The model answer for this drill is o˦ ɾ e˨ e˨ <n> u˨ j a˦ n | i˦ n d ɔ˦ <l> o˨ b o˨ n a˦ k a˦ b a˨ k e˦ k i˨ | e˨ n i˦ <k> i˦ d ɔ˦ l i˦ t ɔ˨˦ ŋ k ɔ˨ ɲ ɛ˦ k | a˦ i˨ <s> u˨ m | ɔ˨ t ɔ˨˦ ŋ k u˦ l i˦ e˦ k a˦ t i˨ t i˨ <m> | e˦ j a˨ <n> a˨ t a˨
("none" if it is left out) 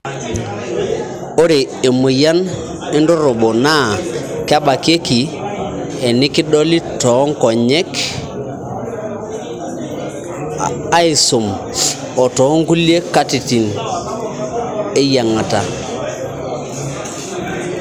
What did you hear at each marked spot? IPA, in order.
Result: m, ɾ, k, s, n, ŋ

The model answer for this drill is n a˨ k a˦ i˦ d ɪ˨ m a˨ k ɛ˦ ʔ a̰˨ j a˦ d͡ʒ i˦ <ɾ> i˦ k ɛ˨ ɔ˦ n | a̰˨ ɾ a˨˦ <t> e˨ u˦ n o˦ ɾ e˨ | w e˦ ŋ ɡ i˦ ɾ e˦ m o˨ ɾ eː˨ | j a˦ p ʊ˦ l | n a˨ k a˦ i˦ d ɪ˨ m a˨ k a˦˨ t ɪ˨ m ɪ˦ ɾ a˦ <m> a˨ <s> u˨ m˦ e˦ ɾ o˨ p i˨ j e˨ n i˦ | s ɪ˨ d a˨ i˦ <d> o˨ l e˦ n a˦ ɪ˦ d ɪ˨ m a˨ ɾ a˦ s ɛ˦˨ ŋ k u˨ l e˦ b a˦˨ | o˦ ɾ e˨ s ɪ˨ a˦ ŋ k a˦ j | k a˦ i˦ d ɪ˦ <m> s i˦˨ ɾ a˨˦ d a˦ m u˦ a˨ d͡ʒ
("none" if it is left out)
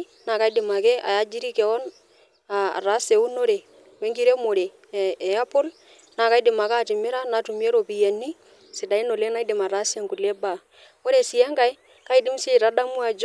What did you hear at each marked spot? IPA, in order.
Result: ɾ, s, n, t, n, m

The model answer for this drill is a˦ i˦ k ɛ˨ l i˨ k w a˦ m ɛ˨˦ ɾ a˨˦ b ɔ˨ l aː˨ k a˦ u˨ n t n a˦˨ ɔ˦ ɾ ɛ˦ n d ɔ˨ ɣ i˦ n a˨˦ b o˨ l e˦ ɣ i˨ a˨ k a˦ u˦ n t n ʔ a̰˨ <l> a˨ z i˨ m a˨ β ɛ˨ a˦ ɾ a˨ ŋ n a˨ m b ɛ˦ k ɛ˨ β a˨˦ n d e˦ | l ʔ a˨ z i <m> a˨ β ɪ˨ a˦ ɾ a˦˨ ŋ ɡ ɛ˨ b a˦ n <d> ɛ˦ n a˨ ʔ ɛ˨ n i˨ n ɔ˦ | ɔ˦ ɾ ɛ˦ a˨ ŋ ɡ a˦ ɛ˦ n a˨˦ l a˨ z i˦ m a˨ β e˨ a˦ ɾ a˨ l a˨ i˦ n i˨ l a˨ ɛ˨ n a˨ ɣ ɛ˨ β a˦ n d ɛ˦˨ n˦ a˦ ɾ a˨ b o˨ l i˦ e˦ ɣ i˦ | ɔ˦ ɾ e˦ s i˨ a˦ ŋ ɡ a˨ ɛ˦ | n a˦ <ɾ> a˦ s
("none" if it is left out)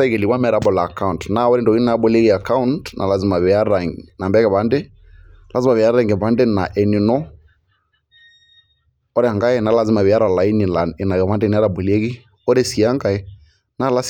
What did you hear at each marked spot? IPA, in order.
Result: l, m, d, l

